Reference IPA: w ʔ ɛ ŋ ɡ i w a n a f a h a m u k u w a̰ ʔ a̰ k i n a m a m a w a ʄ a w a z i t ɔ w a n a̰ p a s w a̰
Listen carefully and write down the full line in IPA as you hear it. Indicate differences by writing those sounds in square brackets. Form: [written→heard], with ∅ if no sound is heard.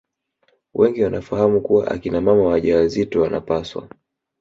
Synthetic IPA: w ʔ ɛ ŋ ɡ i w a n a f a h a m u k u w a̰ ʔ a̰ k i n a m a m a w a ʄ a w a z i t ɔ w a n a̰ p a s w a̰